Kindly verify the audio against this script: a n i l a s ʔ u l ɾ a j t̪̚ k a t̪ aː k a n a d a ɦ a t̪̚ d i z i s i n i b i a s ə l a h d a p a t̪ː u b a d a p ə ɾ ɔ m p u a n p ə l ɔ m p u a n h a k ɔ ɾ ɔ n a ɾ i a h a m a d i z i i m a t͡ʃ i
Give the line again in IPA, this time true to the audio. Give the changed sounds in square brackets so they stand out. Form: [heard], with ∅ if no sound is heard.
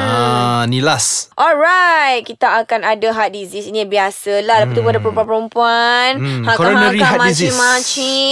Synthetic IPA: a n i l a s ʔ [ɔ] l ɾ a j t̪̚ k [i] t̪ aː k a n a d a ɦ a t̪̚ d i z i s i n i b i a s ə l a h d a p a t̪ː u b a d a p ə ɾ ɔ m p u a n p ə [ɾ] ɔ m p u a n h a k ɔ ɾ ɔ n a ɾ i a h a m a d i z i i m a t͡ʃ i